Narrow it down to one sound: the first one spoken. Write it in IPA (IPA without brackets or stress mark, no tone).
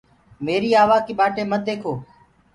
m